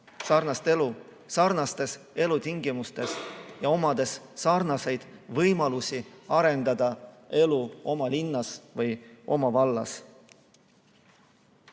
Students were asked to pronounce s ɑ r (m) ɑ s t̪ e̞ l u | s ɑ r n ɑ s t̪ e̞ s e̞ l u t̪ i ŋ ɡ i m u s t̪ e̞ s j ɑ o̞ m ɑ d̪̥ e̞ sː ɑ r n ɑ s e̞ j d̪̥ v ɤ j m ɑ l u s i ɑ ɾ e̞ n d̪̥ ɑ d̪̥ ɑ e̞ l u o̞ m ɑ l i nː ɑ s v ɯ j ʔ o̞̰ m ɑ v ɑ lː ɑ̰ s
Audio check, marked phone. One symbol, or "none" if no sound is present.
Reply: n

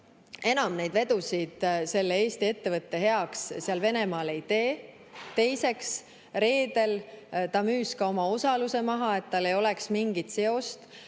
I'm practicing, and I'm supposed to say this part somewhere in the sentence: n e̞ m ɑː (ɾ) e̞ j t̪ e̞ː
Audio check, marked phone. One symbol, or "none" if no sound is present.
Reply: l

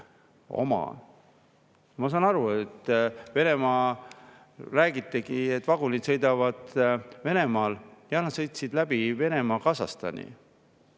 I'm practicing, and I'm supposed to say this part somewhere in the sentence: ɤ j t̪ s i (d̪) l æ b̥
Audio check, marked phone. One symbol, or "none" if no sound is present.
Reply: d̪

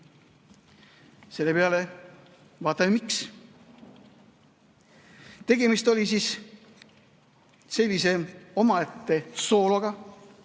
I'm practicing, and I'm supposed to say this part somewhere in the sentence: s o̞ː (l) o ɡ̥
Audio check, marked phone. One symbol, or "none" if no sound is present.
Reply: l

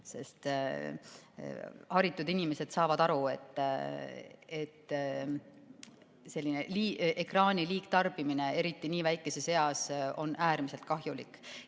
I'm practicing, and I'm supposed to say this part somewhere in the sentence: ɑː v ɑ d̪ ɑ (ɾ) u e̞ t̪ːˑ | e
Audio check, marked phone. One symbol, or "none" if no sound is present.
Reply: ɾ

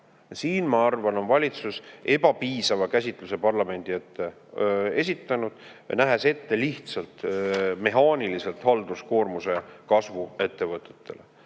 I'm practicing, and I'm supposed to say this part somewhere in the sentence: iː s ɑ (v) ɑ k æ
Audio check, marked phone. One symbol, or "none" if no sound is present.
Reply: v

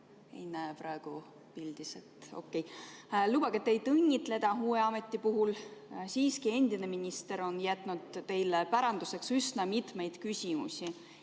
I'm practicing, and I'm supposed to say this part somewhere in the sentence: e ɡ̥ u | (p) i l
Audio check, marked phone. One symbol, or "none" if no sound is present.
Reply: p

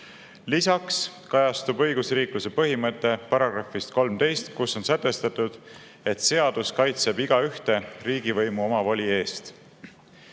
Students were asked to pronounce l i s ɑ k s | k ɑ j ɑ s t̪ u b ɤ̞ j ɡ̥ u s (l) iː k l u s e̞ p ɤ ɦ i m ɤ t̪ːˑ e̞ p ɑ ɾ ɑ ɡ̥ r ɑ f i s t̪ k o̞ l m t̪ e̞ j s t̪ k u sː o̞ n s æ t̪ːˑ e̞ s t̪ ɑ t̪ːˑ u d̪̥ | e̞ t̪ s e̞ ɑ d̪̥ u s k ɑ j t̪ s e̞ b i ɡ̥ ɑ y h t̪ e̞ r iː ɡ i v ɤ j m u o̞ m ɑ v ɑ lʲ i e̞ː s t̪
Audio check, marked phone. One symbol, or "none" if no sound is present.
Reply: r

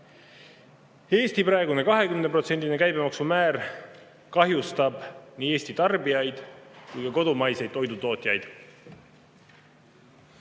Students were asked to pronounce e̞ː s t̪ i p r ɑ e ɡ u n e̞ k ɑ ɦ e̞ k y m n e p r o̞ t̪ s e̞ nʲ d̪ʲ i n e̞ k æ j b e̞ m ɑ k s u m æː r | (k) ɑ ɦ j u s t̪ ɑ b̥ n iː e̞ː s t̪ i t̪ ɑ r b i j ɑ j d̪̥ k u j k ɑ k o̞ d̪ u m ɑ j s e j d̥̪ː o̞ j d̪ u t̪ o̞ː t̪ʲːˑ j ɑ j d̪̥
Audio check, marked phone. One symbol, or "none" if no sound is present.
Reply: k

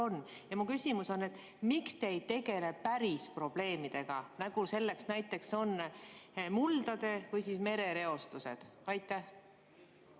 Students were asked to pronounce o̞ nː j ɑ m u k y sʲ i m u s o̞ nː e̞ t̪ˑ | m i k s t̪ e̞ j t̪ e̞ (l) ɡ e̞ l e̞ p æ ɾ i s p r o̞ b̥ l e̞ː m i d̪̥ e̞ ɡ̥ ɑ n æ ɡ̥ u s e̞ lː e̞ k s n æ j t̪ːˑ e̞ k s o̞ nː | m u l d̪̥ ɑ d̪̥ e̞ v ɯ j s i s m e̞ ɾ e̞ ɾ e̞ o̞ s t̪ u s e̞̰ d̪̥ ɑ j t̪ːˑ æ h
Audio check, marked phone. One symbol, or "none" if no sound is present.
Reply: none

